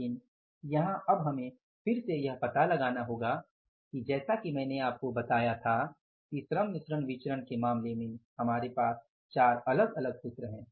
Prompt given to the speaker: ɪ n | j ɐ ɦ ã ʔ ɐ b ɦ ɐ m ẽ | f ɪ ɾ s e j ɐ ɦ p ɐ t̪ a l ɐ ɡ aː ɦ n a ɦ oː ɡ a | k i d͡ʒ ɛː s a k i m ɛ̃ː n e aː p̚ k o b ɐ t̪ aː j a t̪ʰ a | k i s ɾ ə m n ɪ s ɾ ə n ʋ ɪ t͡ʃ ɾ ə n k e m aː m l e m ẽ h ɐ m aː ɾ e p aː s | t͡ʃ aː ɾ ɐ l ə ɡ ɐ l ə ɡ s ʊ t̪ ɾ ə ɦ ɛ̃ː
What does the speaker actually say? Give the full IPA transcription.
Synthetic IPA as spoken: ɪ n | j ɐ ɦ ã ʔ ɐ b ɦ ɐ m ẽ | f ɪ ɾ s e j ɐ ɦ p ɐ t̪ a l ɐ ɡ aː n a ɦ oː ɡ a | k i d͡ʒ ɛː s a k i m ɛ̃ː n e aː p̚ k o b ɐ t̪ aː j a t̪ʰ a | k i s ɾ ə m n ɪ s ɾ ə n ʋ ɪ t͡ʃ ɾ ə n k e m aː m l e m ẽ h ɐ m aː ɾ e p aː s | t͡ʃ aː ɾ ɐ l ə ɡ ɐ l ə ɡ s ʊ t̪ ɾ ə ɦ ɛ̃ː

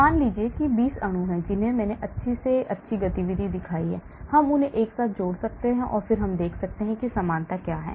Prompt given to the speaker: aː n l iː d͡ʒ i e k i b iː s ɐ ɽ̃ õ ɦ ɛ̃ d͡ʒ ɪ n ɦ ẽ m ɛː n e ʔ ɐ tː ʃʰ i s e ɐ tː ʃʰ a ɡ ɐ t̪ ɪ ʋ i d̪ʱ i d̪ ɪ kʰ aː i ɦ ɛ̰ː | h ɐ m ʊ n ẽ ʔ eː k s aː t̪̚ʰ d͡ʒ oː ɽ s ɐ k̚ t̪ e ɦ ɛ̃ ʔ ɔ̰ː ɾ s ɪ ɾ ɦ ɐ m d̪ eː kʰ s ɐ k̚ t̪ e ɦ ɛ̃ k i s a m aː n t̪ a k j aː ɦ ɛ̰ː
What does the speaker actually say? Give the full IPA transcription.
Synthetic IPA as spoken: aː n l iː d͡ʒ i e k i b iː s ɐ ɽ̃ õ ɦ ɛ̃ d͡ʒ ɪ n ɦ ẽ m ɛː n e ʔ ɐ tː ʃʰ i s e ɐ tː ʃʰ i ɡ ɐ t̪ i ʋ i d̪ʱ i d̪ ɪ kʰ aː i ɦ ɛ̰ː | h ɐ m ʊ n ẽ ʔ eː k s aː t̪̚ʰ d͡ʒ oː ɽ s ɐ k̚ t̪ e ɦ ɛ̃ ʔ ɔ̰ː ɾ f ɪ ɾ ɦ ɐ m d̪ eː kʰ s ɐ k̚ t̪ e ɦ ɛ̃ k i s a m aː n t̪ a k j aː ɦ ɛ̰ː

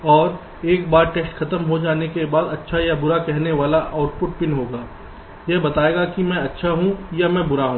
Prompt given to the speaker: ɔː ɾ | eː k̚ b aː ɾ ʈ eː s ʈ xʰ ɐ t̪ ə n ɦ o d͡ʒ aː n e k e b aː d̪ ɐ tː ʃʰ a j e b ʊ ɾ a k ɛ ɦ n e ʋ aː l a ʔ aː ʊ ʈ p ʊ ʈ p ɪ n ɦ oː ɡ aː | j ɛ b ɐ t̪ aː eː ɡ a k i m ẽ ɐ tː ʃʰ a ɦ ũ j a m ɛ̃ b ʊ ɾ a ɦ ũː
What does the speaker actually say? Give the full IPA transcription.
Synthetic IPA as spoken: ɔː ɾ | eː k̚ b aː ɾ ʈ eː s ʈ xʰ ɐ t̪ ə m ɦ o d͡ʒ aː n e k e b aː d̪ ɐ tː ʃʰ a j a b ʊ ɾ a k ɛ ɦ n e ʋ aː l a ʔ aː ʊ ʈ p ʊ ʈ p ɪ n ɦ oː ɡ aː | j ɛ b ɐ t̪ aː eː ɡ a k i m ɛ̃ ɐ tː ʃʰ a ɦ ũ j a m ɛ̃ b ʊ ɾ a ɦ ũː

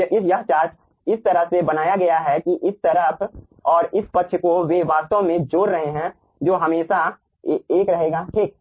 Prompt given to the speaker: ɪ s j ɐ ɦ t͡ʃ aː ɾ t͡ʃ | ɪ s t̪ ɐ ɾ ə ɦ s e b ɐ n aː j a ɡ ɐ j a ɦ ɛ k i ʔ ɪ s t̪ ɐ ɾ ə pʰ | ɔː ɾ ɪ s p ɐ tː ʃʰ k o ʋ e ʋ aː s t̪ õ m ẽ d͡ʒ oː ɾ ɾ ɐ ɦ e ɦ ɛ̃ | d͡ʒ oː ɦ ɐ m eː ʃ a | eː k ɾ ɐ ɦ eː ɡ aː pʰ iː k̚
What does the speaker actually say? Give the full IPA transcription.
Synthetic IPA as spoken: ɪ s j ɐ ɦ t͡ʃ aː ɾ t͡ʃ | ɪ s t̪ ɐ ɾ ə ɦ s e b ɐ n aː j a ɡ ɐ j a ɦ ɛ k i ʔ ɪ s t̪ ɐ ɾ ə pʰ | ɔː ɾ ɪ s p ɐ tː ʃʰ k o ʋ e ʋ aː s t̪ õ m ẽ d͡ʒ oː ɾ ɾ ɐ ɦ e ɦ ɛ̃ | d͡ʒ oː ɦ ɐ m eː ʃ a | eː k ɾ ɐ ɦ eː ɡ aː ʈʰ iː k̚

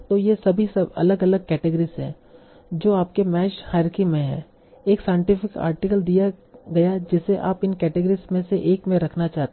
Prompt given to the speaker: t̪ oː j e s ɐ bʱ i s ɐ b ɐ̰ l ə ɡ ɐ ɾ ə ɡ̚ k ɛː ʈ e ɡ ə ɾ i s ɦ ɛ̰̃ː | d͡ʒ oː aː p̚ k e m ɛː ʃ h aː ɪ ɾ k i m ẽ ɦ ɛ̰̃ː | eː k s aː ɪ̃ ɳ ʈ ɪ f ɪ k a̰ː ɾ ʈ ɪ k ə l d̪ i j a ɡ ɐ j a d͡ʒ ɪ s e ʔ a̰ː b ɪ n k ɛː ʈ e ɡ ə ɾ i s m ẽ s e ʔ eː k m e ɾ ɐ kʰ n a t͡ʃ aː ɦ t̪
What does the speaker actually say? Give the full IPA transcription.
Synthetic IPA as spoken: t̪ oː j e s ɐ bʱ i s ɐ b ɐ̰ l ə ɡ ɐ l ə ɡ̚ k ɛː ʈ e ɡ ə ɾ i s ɦ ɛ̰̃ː | d͡ʒ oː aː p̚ k e m ɛː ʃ h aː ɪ ɾ k i m ẽ ɦ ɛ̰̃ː | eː k s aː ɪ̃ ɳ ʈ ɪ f ɪ k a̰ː ɾ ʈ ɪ k ə l d̪ i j a ɡ ɐ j a d͡ʒ ɪ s e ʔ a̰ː p ɪ n k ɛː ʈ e ɡ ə ɾ i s m ẽ s e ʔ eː k m ẽ ɾ ɐ kʰ n a t͡ʃ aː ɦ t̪

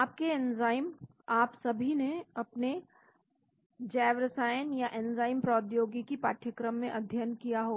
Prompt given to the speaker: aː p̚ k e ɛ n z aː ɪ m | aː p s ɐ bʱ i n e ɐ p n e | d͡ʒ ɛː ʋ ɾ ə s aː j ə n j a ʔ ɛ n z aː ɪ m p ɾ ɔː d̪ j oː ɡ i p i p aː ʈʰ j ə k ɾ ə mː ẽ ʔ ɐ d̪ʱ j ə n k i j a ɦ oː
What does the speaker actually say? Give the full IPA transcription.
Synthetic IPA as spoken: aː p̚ k e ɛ n z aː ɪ m | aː p s ɐ bʱ i n e ɐ p n e | d͡ʒ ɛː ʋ ɾ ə s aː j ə n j a ʔ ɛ n z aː ɪ m p ɾ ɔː d̪ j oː ɡ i k i p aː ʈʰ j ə k ɾ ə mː ẽ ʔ ɐ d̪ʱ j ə n k i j a ɦ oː

